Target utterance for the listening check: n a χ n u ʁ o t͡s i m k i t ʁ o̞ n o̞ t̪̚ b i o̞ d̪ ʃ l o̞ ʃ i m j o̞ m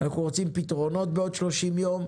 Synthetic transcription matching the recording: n a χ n u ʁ o t͡s i m p i t ʁ o̞ n o̞ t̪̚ b e o̞ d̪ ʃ l o̞ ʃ i m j o̞ m